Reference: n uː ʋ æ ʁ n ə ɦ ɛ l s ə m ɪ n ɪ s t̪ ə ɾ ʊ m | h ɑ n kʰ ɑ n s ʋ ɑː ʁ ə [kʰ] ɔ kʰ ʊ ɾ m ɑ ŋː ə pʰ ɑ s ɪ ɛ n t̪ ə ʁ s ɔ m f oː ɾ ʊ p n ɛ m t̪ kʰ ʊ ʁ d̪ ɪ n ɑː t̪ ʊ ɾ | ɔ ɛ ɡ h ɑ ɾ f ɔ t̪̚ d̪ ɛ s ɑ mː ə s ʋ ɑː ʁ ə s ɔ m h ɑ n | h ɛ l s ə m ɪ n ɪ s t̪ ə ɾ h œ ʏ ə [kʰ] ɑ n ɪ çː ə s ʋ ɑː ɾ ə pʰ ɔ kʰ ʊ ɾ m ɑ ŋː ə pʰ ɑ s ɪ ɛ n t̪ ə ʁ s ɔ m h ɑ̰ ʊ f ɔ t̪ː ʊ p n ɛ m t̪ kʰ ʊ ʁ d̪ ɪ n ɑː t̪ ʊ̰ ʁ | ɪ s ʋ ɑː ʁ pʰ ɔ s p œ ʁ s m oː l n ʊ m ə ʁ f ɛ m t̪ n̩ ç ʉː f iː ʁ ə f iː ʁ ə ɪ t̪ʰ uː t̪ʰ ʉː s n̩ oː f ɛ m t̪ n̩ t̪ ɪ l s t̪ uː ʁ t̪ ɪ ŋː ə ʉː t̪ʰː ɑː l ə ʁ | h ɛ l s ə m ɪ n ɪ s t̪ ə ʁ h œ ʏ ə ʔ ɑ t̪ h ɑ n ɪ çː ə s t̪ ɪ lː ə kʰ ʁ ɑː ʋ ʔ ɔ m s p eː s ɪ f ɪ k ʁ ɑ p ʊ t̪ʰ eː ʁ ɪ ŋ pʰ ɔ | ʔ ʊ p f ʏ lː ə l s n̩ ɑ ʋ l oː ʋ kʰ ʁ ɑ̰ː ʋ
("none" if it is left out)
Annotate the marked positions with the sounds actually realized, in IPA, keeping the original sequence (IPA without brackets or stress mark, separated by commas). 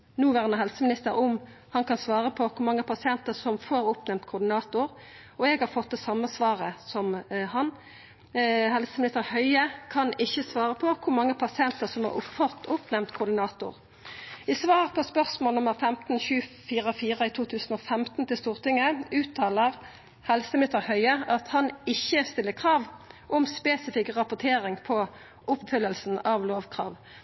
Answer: pʰ, kʰ